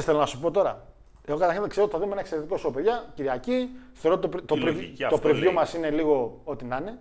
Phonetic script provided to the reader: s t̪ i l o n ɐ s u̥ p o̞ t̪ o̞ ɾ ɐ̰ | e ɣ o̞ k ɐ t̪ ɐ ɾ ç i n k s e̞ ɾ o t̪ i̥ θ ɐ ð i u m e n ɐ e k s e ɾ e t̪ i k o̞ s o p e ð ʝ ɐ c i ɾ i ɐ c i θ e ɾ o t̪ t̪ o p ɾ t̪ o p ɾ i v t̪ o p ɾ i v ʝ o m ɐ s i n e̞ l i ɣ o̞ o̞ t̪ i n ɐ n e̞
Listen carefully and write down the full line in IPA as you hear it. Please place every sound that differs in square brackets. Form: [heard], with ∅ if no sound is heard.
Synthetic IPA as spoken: s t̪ [e] l o n ɐ s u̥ p o̞ t̪ o̞ ɾ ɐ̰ | e ɣ o̞ k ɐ t̪ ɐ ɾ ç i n k s e̞ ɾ o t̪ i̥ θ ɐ ð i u m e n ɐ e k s e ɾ e t̪ i k o̞ s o p e ð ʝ ɐ c i ɾ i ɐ c i θ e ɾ o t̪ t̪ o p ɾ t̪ o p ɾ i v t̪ o p ɾ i v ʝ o m ɐ s i n e̞ l i ɣ o̞ o̞ t̪ i n ɐ n e̞